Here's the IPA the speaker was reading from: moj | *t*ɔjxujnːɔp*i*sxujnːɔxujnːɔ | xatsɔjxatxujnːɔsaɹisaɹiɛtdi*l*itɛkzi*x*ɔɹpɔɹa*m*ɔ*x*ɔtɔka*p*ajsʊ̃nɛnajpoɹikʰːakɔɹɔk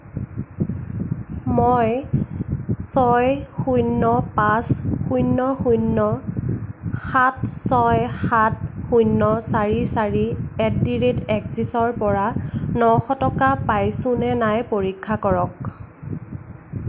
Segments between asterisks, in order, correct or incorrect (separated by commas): incorrect, incorrect, incorrect, incorrect, incorrect, correct, correct